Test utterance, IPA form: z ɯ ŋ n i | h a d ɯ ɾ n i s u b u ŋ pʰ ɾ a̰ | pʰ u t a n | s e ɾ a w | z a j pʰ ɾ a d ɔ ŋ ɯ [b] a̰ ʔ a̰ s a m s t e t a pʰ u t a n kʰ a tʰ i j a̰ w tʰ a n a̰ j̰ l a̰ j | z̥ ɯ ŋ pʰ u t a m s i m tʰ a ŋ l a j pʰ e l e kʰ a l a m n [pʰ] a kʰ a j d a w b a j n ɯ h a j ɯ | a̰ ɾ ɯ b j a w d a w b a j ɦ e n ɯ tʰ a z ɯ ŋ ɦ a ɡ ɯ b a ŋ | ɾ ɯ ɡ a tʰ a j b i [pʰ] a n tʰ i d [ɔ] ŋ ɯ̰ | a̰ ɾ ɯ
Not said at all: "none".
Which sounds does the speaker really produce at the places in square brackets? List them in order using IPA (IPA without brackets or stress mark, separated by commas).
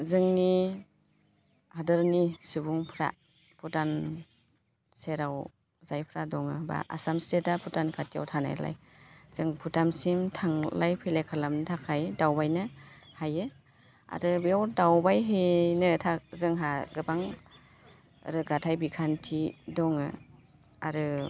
b, tʰ, kʰ, ɔ